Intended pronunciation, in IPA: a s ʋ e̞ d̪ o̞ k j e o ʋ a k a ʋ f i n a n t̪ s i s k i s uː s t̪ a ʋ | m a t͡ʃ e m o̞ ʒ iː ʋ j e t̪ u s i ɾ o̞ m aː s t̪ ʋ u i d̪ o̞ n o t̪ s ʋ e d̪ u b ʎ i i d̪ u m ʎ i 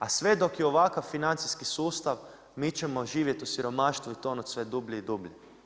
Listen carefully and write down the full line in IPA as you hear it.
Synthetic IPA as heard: a s ʋ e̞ d̪ o̞ k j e o ʋ a k a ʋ f i n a n t̪ s i s k i s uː s t̪ a ʋ | m i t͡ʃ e m o̞ ʒ iː ʋ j e t̪ u s i ɾ o̞ m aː ʃ t̪ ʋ u i t̪ o̞ n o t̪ s ʋ e d̪ u b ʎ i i d̪ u b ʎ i

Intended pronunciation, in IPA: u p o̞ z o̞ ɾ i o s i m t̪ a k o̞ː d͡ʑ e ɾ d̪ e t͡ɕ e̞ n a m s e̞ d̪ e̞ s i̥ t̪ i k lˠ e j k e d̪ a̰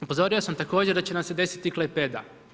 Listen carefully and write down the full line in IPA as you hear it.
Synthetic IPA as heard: u p o̞ z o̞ ɾ i o s a m t̪ a k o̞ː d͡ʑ e ɾ d̪ a t͡ɕ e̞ n a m s e̞ d̪ e̞ s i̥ t̪ i k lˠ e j p e d̪ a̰

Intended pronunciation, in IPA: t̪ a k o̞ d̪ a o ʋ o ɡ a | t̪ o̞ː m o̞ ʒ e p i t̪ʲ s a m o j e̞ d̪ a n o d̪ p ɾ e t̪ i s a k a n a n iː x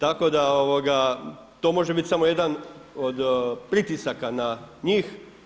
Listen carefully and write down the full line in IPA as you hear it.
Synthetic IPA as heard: t̪ a k o̞ d̪ a o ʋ o ɡ a | t̪ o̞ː m o̞ ʒ e b i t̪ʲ s a m o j e̞ d̪ a n o d̪ p ɾ i t̪ i s a k a n a ɲ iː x

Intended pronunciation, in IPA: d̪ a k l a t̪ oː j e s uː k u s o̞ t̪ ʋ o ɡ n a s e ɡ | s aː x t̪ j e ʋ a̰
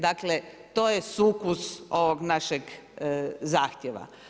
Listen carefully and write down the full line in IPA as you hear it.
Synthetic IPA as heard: d̪ a k l e t̪ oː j e s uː k u s o̞ ʋ o ɡ n a ʃ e ɡ | z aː x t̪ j e ʋ a̰

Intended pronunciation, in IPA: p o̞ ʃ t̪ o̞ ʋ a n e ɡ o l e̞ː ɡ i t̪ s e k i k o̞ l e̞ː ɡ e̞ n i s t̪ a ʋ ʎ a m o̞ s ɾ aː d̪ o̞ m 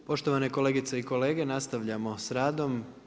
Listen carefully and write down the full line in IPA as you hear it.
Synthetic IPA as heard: p o̞ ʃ t̪ o̞ ʋ a n e k o l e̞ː ɡ i t̪ s e i k o̞ l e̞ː ɡ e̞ n a s t̪ a ʋ ʎ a m o̞ s ɾ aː d̪ o̞ m

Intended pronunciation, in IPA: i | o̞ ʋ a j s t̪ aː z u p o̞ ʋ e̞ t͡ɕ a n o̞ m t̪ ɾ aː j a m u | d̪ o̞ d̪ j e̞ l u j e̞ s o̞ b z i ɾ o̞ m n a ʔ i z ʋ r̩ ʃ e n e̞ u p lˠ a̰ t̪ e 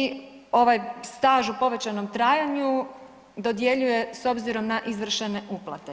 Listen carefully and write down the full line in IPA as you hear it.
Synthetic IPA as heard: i | o̞ ʋ a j s t̪ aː ʒ u p o̞ ʋ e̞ t͡ɕ a n o̞ m t̪ ɾ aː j a ɲ u | d̪ o̞ d̪ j e̞ ʎ u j e̞ s o̞ b z i ɾ o̞ m n a ʔ i z ʋ r̩ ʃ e n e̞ u p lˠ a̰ t̪ e

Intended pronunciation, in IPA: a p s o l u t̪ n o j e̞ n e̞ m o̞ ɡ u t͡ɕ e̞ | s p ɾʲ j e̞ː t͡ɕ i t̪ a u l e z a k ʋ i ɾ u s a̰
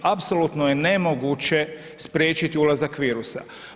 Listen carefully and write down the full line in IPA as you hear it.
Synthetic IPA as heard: a p s o l u t̪ n o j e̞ n e̞ m o̞ ɡ u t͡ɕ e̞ | s p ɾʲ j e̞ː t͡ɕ i t̪ i u l a z a k ʋ iː ɾ u s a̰

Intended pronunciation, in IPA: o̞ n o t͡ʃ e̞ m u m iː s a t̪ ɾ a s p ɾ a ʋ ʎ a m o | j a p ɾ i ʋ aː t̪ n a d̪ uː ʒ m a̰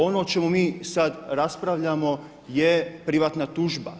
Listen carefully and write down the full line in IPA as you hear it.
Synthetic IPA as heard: o̞ n o t͡ʃ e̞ m u m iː s a d̪ ɾ a s p ɾ a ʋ ʎ a m o | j e p ɾ i ʋ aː t̪ n a t̪ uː ʒ b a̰

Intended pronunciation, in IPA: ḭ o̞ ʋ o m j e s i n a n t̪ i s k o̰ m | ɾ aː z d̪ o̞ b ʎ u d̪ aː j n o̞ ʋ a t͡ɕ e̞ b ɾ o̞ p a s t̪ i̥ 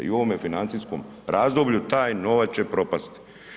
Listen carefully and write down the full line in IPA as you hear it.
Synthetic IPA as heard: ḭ o̞ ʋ o m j e f i n a n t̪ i s k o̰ m | ɾ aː z d̪ o̞ b ʎ u t̪ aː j n o̞ ʋ a t͡ɕ e̞ p ɾ o̞ p a s t̪ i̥

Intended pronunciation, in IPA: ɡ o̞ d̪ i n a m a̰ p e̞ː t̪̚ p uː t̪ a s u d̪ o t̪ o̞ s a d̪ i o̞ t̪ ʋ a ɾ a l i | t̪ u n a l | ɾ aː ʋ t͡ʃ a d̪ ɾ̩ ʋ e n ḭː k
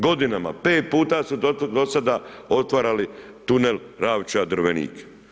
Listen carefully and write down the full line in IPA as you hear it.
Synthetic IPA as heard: ɡ o̞ d̪ i n a m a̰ p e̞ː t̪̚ p uː t̪ a s u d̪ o d̪ o̞ s a d̪ a o̞ t̪ ʋ a ɾ a l i | t̪ u n e l | ɾ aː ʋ t͡ʃ a d̪ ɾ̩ ʋ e n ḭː k

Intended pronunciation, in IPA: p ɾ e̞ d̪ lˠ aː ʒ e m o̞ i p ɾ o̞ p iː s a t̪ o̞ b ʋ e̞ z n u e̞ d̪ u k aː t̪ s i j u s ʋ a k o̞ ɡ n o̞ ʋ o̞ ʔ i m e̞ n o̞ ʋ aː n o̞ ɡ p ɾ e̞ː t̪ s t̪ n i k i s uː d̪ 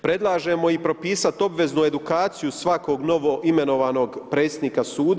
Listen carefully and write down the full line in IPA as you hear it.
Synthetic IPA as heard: p ɾ e̞ d̪ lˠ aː ʒ e m o̞ i p ɾ o̞ p iː s a t̪ o̞ b ʋ e̞ z n u e̞ d̪ u k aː t̪ s i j u s ʋ a k o̞ ɡ n o̞ ʋ o̞ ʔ i m e̞ n o̞ ʋ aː n o̞ ɡ p ɾ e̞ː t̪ s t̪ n i k a s uː d̪

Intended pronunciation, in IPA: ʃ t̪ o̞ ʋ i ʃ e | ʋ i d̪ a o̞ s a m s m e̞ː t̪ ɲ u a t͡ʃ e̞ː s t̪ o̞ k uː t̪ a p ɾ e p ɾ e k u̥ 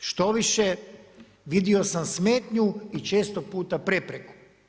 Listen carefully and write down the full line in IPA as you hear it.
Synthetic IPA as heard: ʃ t̪ o̞ ʋ i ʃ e | ʋ i d̪ i o̞ s a m s m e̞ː t̪ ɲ u i t͡ʃ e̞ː s t̪ o̞ p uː t̪ a p ɾ e p ɾ e k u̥

